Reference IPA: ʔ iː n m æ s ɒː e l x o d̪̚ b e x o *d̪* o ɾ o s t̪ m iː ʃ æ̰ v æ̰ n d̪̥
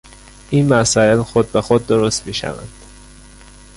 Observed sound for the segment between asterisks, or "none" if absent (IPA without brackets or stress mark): d̪ː